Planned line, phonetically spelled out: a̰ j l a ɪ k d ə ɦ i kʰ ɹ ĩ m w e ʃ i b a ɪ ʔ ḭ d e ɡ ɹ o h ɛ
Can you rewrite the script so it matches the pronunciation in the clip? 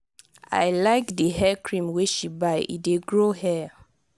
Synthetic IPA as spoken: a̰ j l a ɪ k d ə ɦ ɛ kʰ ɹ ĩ m w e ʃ i b a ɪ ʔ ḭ d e ɡ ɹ o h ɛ